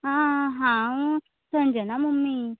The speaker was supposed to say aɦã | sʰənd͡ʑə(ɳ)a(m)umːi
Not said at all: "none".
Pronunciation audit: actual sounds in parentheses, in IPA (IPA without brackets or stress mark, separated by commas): n, m